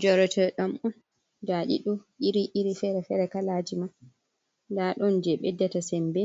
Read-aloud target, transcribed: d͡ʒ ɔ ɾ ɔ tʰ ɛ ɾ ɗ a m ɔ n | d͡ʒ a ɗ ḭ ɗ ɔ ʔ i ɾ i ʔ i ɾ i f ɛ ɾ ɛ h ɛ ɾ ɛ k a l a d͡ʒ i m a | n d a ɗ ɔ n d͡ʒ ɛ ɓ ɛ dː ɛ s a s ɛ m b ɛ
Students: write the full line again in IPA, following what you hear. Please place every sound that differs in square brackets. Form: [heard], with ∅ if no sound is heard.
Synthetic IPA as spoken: d͡ʒ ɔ ɾ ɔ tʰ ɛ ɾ ɗ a m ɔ n | d͡ʒ a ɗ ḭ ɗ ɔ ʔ i ɾ i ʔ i ɾ i f ɛ ɾ ɛ [f] ɛ ɾ ɛ k a l a d͡ʒ i m a | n d a ɗ ɔ n d͡ʒ ɛ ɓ ɛ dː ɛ [t] a s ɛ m b ɛ

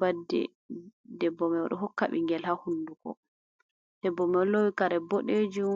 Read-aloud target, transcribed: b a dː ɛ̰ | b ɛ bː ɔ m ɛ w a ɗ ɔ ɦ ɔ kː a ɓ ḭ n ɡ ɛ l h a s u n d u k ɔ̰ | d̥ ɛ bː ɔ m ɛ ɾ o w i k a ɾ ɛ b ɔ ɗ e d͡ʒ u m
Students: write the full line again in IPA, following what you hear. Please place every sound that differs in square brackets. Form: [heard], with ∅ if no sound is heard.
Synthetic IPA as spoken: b a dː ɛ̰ | [d] ɛ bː ɔ m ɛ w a ɗ ɔ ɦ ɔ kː a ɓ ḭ [ŋ] ɡ ɛ l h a [h] u n d u k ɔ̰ | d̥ ɛ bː ɔ m ɛ [l] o w i k a ɾ ɛ b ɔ ɗ e d͡ʒ u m

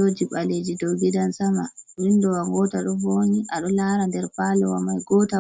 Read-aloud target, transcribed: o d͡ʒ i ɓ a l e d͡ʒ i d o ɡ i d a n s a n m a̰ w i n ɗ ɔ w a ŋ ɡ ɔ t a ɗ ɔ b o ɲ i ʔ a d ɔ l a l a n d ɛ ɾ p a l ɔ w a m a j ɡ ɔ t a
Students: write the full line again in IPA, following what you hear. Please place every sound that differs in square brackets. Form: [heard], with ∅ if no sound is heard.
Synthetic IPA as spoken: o d͡ʒ i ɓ a l e d͡ʒ i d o ɡ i d a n s a [∅] m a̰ w i n [d] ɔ w a ŋ ɡ ɔ t a ɗ ɔ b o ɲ i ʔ a [ɗ] ɔ l a [ɾ] a n d ɛ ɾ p a l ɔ w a m a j ɡ ɔ t a

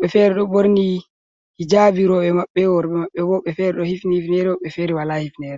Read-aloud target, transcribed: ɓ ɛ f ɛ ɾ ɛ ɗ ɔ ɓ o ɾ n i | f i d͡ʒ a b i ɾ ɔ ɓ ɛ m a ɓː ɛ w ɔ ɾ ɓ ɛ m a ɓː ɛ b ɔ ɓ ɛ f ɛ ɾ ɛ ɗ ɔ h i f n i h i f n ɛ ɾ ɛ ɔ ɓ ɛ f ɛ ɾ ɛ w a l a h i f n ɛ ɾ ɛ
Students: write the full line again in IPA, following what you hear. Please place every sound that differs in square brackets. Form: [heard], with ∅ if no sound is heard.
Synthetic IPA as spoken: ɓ ɛ f ɛ ɾ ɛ ɗ ɔ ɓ o ɾ n i | [h] i d͡ʒ a b i ɾ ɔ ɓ ɛ m a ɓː ɛ w ɔ ɾ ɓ ɛ m a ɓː ɛ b ɔ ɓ ɛ f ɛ ɾ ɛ ɗ ɔ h i f n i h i f n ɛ ɾ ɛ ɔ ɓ ɛ f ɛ ɾ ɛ w a l a h i f n ɛ ɾ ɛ

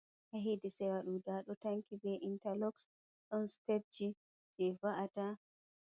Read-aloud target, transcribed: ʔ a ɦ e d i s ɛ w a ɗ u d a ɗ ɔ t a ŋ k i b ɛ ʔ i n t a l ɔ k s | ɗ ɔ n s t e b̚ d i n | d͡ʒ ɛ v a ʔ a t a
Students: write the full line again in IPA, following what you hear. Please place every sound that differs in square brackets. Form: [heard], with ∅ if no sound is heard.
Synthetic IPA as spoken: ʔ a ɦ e d i s ɛ w a ɗ u d a ɗ ɔ t a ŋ k i b ɛ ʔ i n t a l ɔ k s | ɗ ɔ n s t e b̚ [d͡ʒ] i [∅] | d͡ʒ ɛ v a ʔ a t a

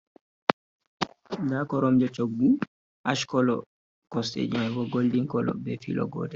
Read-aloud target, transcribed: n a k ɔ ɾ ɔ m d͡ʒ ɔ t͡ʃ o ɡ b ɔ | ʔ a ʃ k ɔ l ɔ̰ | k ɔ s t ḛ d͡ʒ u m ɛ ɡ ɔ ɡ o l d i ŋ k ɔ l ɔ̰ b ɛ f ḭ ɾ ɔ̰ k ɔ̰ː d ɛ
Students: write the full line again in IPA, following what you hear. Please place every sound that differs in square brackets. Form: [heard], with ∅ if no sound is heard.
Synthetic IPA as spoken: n a k ɔ ɾ ɔ m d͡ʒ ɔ t͡ʃ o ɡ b [u] | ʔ a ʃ k ɔ l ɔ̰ | k ɔ s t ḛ d͡ʒ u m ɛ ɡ ɔ ɡ o l d i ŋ k ɔ l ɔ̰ b ɛ f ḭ [l] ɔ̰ [ɡ] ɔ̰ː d ɛ

